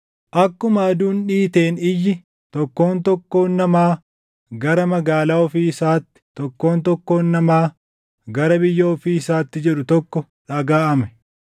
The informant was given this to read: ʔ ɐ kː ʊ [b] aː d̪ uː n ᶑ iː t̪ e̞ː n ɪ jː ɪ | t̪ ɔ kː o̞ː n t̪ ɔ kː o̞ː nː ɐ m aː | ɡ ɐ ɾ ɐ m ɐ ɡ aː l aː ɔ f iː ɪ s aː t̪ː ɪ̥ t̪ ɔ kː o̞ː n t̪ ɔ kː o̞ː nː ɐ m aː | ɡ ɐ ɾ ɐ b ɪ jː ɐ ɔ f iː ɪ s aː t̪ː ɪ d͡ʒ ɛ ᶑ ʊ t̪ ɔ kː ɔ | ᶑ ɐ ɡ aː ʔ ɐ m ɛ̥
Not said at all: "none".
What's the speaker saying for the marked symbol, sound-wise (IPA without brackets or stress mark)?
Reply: m